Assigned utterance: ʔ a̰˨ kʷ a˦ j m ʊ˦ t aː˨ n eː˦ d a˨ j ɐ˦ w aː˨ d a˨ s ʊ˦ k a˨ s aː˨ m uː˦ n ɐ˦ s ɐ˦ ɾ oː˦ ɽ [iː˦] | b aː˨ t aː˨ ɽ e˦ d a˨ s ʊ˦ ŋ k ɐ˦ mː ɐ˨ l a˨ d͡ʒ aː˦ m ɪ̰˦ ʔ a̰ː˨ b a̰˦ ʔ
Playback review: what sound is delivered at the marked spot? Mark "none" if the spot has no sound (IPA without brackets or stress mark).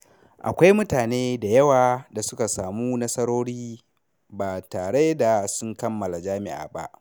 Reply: iː˦